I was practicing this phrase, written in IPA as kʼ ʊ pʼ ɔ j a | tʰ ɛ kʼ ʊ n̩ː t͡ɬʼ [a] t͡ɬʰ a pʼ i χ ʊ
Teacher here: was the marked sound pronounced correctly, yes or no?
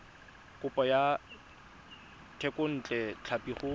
no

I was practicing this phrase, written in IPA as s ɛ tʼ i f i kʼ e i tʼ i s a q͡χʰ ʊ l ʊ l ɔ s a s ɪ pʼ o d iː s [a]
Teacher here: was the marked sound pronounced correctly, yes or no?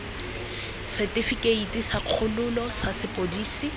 no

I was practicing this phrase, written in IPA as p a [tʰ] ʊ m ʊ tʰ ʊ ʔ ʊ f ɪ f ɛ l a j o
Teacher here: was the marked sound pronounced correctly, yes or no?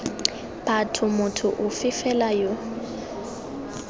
yes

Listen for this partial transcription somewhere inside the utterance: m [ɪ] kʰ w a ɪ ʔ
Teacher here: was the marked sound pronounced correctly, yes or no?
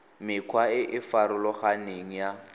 yes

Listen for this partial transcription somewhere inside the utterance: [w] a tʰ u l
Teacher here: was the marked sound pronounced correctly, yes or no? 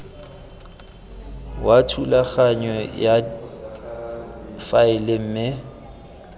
yes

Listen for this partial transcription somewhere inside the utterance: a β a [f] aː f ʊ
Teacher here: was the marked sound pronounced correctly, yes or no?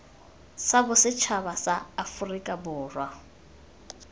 no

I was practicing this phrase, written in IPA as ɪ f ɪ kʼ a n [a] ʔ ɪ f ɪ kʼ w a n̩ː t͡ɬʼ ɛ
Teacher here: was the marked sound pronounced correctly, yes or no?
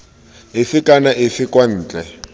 yes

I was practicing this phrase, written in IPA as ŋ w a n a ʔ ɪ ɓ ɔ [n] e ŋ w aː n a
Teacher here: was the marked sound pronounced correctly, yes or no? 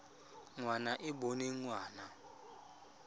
yes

